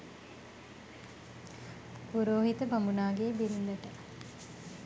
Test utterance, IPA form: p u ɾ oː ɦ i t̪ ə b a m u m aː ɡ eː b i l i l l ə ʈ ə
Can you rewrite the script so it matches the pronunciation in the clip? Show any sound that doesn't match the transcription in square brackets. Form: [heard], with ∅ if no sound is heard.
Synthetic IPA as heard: p u ɾ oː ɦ i t̪ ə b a m u [n] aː ɡ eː b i [ɾ] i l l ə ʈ ə